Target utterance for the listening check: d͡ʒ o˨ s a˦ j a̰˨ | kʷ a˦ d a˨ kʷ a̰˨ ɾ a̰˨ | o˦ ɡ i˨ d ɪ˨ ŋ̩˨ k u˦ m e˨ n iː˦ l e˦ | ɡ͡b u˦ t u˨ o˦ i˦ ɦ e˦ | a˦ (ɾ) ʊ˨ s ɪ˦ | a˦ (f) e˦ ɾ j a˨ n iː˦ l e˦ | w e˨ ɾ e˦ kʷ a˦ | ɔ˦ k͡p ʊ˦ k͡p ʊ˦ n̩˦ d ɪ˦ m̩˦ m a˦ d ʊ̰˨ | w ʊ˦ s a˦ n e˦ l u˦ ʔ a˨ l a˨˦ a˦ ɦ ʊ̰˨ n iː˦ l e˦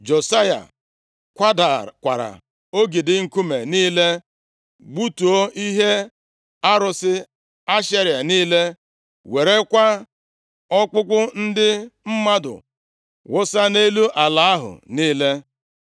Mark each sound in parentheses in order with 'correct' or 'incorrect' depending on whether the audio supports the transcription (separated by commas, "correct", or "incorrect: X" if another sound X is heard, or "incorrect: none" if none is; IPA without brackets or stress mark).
correct, incorrect: ʃ